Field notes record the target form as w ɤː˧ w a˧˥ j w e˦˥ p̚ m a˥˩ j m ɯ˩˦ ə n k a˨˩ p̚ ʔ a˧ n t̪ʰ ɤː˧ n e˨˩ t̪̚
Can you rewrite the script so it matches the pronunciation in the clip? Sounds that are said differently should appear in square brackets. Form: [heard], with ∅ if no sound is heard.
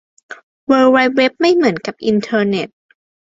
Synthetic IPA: w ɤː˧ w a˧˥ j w e˦˥ p̚ m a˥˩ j m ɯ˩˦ ə n k a˨˩ p̚ ʔ [i˧] n t̪ʰ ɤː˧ n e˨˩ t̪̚